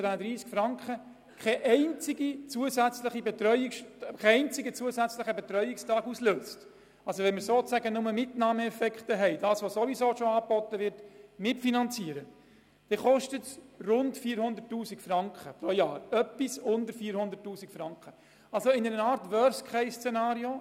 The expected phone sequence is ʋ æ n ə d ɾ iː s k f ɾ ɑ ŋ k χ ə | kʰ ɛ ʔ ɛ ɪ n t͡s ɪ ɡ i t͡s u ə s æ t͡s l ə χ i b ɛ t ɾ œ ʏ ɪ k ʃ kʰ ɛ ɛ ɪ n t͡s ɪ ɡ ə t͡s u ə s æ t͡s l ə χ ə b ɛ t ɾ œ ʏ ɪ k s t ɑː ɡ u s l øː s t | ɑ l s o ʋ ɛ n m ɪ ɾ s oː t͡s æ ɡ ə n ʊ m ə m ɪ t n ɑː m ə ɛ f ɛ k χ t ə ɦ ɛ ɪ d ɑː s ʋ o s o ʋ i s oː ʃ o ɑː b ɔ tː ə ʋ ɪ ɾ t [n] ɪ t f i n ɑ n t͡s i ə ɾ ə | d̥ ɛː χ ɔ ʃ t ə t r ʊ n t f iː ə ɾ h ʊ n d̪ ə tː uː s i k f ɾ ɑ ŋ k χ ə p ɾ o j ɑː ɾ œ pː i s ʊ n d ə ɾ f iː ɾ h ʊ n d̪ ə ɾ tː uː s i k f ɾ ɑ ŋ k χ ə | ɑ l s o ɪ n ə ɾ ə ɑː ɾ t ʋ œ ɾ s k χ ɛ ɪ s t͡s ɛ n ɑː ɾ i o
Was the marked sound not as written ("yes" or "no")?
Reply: yes